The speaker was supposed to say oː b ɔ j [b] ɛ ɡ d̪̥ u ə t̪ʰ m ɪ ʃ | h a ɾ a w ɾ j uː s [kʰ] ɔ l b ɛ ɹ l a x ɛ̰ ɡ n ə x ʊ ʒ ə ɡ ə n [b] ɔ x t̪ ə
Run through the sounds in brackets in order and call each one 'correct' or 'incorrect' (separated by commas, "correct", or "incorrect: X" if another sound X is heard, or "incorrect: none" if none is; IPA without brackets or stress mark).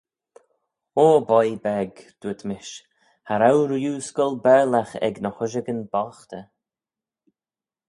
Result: correct, incorrect: k, correct